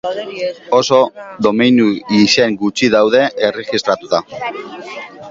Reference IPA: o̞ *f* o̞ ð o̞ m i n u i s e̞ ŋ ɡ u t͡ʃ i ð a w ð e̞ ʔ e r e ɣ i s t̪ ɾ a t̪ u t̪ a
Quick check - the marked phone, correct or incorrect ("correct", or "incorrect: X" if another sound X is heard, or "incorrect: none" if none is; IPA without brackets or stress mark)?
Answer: incorrect: s